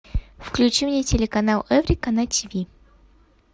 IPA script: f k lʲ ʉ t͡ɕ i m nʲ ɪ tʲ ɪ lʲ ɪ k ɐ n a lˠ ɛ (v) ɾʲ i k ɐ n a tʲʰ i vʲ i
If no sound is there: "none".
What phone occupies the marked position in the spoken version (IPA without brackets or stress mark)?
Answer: v